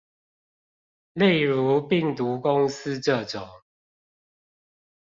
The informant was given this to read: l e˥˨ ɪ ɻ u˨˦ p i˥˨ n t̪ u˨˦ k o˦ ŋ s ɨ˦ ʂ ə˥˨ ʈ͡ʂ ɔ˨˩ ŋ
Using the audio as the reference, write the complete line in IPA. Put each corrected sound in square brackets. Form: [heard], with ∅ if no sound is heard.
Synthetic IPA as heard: l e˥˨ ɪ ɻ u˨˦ p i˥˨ [ŋ] t̪ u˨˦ k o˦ ŋ s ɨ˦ [ʈ͡ʂ] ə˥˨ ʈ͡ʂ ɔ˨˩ ŋ